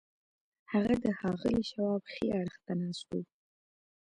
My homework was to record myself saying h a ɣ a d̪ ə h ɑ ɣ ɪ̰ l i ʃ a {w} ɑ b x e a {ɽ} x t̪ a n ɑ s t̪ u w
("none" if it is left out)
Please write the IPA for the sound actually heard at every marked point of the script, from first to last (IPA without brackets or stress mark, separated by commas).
w, ɽ